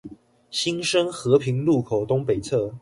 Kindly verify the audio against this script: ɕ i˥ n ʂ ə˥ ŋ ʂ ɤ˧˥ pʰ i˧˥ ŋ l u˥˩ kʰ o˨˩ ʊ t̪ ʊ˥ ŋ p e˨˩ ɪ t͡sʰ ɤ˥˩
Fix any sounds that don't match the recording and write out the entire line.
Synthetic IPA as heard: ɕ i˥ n ʂ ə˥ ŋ x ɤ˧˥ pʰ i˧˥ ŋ l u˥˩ kʰ o˨˩ ʊ t̪ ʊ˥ ŋ p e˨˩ ɪ t͡sʰ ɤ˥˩